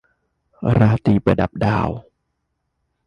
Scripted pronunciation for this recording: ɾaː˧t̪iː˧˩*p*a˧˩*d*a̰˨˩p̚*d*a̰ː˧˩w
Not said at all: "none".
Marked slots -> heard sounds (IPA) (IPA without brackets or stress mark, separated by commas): p, d, d